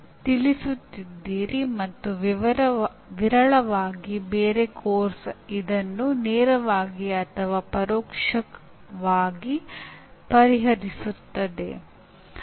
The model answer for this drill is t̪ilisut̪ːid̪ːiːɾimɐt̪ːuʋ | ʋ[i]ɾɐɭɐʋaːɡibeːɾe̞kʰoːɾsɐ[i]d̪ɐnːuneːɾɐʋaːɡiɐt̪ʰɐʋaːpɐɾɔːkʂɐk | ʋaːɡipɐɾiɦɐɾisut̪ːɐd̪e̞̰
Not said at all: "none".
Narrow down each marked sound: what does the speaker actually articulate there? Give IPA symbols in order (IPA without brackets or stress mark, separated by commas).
i, i